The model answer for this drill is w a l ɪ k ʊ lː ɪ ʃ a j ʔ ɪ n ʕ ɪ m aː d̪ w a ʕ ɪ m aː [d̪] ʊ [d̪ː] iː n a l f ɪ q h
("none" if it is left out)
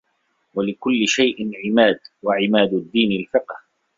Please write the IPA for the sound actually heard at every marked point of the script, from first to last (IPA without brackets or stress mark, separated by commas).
d̪, d̪ː